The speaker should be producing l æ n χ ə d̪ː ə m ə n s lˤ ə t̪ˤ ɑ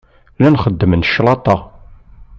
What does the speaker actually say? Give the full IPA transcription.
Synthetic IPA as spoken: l æ n χ ə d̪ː ə m ə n ʃ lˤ ɑ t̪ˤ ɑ